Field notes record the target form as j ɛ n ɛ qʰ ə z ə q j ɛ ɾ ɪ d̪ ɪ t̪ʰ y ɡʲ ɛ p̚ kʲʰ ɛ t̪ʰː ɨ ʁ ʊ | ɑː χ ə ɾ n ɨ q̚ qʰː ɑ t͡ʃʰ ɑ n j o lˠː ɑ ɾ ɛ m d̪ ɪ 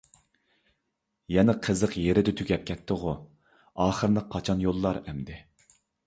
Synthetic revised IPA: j ɛ n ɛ qʰ ə z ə q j e ɾ ɪ d̪ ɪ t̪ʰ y ɡʲ ɛ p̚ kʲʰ ɛ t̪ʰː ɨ ʁ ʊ | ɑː χ ə ɾ n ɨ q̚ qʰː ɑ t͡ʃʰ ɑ n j o lˠː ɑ ɾ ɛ m d̪ ɪ